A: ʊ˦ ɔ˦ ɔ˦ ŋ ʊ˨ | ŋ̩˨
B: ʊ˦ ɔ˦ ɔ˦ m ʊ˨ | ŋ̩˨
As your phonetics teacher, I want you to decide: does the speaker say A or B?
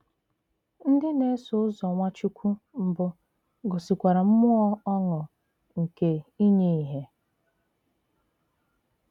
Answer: A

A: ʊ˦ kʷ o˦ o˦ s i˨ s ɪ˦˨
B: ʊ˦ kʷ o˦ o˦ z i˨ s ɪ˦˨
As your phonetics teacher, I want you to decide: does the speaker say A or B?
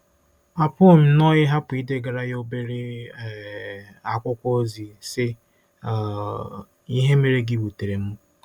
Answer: B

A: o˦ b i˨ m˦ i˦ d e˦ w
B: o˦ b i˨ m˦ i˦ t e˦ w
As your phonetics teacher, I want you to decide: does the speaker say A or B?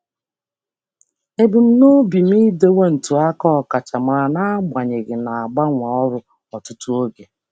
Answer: A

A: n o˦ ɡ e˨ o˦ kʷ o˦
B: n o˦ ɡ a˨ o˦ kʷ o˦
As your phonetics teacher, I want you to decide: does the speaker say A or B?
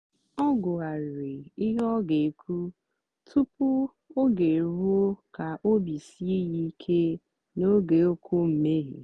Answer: A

